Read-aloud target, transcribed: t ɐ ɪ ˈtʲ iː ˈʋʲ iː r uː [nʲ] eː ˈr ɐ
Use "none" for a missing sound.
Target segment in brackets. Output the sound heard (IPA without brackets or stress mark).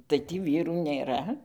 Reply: nʲ